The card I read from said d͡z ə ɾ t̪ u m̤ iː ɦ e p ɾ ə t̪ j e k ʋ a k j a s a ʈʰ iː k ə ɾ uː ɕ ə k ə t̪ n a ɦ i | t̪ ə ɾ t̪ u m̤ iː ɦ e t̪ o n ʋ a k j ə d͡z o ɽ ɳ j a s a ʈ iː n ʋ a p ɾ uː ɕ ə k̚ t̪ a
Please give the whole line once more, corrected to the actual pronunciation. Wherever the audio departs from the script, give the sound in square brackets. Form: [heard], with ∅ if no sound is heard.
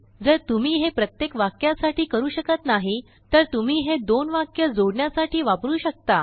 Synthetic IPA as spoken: d͡z ə ɾ t̪ u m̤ iː ɦ e p ɾ ə t̪ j e k ʋ a k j a s a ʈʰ iː k ə ɾ uː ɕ ə k ə t̪ n a ɦ i | t̪ ə ɾ t̪ u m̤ iː ɦ e [d̪] o n ʋ a k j ə d͡z o ɽ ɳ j a s a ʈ iː [∅] ʋ a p ɾ uː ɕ ə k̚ t̪ a